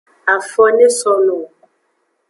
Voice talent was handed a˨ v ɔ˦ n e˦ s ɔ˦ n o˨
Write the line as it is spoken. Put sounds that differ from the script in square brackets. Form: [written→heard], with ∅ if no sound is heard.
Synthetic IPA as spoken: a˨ [v→f] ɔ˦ n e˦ s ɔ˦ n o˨

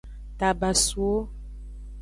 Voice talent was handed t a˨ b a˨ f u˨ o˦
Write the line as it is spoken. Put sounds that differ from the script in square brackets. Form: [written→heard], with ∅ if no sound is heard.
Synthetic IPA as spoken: t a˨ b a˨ [f→s] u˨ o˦

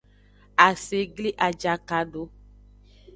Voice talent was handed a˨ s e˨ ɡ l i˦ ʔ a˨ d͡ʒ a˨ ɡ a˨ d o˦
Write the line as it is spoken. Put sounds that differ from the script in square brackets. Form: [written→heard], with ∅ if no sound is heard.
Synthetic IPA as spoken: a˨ s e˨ ɡ l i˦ ʔ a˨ d͡ʒ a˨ [ɡ→k] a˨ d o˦

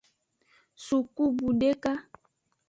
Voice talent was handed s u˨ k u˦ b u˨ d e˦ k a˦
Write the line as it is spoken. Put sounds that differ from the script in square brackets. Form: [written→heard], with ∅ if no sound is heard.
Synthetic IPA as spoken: s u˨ k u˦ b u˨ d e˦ k a˦

